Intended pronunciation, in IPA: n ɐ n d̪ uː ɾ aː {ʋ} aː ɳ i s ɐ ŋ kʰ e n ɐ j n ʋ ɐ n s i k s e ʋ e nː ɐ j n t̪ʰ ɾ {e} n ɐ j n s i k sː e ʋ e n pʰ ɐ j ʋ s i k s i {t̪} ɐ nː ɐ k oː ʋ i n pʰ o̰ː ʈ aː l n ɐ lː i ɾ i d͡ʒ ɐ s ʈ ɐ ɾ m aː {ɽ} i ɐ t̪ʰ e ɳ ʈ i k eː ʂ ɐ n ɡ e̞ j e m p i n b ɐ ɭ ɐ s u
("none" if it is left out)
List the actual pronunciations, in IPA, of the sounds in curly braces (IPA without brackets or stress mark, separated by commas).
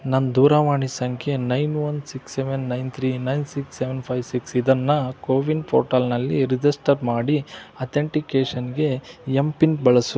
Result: ʋ, i, d̪, ɽ